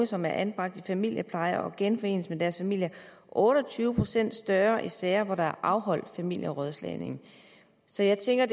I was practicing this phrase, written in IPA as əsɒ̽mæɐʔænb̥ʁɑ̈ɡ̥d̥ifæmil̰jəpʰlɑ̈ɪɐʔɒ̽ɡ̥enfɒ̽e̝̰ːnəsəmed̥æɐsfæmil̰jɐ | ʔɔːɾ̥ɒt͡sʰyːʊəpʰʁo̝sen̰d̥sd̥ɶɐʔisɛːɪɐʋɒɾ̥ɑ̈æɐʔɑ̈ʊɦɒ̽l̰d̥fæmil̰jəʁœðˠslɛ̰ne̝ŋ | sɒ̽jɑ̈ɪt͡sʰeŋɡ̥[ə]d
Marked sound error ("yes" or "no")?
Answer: yes